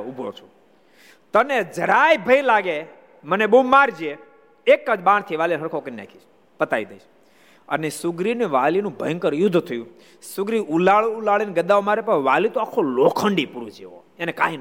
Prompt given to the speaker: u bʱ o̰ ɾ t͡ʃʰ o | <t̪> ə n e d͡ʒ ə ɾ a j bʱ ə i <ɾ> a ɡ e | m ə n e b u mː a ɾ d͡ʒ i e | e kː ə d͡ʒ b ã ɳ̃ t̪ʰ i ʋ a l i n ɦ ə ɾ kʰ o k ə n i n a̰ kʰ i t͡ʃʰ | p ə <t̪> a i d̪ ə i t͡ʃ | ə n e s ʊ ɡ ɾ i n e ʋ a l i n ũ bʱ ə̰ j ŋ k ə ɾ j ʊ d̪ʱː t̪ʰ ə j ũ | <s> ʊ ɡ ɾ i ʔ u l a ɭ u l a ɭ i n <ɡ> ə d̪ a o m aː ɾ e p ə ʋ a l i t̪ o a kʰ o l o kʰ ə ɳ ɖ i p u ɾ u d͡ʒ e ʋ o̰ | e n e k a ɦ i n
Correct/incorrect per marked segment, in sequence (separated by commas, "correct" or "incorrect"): correct, incorrect, correct, correct, correct